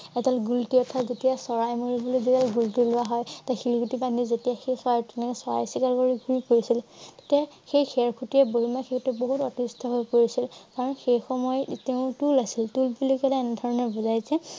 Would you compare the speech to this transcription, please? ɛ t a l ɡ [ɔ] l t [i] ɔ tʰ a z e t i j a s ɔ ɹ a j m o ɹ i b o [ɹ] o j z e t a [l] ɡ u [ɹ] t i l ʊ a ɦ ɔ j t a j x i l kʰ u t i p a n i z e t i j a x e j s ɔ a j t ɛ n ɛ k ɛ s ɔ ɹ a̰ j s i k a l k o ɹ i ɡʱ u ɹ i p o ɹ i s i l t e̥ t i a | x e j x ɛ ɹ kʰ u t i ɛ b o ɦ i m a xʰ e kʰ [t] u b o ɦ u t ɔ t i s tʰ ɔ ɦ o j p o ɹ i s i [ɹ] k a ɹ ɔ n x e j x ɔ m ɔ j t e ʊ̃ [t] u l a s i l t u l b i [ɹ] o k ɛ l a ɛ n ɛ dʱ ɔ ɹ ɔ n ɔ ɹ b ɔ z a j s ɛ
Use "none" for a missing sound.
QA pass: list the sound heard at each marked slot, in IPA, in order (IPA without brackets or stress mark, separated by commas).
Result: u, i, l, l, l, t, l, t, l